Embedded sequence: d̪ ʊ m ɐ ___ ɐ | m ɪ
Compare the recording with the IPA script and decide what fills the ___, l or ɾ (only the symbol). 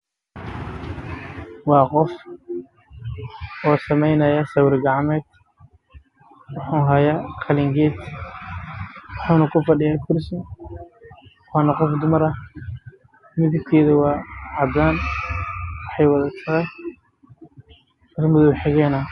ɾ